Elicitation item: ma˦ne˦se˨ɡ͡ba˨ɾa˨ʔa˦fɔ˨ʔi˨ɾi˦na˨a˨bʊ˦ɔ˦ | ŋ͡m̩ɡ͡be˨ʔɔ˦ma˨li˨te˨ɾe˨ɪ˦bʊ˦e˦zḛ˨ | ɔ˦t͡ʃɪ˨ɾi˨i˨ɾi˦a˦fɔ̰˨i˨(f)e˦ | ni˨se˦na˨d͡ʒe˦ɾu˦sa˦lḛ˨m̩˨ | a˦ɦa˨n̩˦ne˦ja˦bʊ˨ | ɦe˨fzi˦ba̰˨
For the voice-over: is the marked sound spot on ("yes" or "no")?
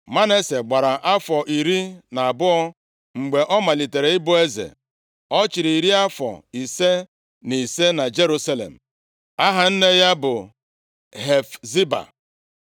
no